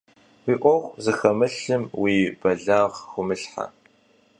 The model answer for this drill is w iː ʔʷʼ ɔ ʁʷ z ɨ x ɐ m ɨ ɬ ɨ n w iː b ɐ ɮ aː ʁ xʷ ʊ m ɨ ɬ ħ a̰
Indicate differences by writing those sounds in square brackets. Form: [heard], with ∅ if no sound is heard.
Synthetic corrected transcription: w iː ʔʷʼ ɔ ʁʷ z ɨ x ɐ m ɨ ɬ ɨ [m] w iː b ɐ ɮ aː ʁ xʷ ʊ m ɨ ɬ ħ a̰